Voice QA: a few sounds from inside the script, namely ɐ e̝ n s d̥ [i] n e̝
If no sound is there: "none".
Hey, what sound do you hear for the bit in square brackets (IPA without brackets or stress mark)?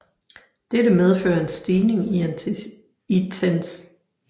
iː